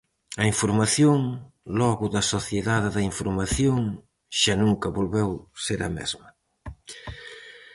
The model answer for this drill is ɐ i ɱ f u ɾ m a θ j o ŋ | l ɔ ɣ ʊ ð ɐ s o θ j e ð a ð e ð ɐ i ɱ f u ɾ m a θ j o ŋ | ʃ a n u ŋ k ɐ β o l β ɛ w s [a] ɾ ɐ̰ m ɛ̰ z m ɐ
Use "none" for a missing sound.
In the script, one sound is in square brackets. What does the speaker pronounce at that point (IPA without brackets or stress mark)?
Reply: e